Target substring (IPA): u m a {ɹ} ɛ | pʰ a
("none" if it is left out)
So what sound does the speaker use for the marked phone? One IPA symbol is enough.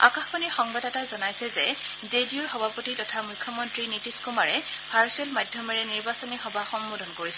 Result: ɹ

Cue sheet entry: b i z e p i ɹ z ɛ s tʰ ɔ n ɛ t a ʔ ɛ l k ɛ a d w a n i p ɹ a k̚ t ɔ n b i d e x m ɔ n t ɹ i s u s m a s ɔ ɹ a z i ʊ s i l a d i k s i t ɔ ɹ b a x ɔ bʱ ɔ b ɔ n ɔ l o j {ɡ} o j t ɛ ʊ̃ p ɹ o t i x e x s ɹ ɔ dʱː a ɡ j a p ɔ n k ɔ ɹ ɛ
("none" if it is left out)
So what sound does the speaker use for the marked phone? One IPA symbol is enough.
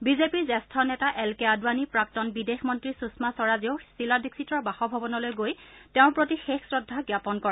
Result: ɡ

